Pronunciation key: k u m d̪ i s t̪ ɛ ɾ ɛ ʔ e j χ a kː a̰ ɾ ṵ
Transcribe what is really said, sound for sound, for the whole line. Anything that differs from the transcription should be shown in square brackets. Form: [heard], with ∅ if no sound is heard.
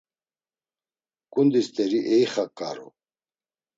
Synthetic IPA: k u [n] d̪ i s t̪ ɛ ɾ [i] ʔ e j χ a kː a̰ ɾ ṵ